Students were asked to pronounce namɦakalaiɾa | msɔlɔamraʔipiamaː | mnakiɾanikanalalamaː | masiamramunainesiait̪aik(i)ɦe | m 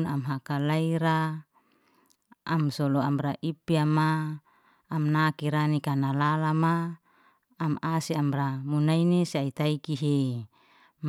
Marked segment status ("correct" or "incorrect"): correct